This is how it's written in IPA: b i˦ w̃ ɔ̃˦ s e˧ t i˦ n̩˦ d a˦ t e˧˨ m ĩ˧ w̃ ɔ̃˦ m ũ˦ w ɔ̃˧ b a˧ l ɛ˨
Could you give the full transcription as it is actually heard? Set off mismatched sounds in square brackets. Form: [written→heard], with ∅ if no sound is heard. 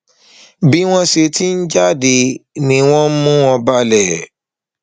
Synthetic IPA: b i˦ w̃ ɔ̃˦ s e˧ t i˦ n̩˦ [d→d͡ʒ] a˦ [t→d] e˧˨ [m→n] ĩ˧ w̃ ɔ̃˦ m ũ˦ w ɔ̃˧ b a˧ l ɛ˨